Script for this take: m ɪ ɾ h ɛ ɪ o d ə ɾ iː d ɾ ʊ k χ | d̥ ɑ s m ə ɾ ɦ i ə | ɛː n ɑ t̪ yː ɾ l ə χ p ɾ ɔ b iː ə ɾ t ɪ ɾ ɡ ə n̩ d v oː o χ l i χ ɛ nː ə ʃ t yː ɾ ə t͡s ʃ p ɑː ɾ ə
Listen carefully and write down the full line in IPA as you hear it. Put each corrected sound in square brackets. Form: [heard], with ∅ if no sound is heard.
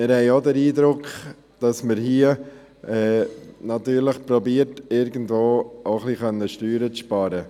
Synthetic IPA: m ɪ ɾ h ɛ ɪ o d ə ɾ iː d ɾ ʊ k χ | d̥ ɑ s m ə ɾ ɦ i ə | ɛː n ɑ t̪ yː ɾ l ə χ p ɾ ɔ b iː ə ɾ t ɪ ɾ ɡ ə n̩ d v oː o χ l i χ [œ] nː ə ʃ t yː ɾ ə t͡s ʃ p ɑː ɾ ə